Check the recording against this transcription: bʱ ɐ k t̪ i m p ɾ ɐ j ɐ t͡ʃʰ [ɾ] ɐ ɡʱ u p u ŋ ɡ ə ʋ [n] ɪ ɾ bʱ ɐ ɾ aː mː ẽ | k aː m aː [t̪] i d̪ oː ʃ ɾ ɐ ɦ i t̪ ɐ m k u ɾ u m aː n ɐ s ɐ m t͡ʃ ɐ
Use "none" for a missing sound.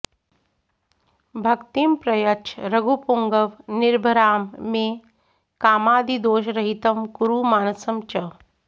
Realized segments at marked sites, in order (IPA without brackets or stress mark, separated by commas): ɾ, n, d̪